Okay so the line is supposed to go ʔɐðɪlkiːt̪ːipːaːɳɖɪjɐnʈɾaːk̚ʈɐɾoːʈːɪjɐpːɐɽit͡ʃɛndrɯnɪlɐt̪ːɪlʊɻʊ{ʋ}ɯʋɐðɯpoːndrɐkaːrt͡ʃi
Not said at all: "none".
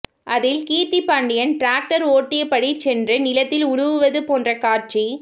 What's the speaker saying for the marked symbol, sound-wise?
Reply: ʋ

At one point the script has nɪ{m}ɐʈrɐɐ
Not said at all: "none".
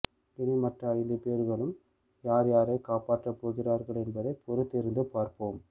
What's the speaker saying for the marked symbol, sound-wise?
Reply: m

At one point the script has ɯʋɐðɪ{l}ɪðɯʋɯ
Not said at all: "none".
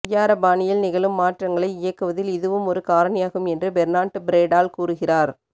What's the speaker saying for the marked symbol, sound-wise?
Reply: l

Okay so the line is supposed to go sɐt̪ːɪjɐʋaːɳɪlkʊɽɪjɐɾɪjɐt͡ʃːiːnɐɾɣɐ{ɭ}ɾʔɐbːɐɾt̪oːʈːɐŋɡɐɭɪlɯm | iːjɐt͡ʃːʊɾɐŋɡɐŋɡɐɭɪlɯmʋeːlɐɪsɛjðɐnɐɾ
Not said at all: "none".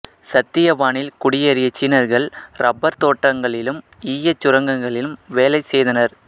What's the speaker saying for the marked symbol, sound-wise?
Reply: ɭ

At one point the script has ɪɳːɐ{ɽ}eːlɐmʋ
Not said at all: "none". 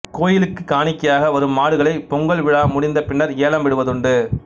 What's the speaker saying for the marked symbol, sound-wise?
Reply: ɾ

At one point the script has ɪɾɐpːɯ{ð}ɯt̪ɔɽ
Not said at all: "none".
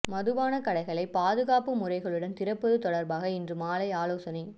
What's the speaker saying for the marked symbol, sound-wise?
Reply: ð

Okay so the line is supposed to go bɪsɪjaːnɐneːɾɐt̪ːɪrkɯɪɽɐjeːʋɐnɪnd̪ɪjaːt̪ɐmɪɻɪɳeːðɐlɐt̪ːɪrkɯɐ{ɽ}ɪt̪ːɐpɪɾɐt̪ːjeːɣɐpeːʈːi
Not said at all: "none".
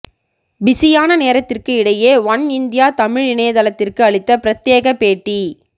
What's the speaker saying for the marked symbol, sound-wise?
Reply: ɭ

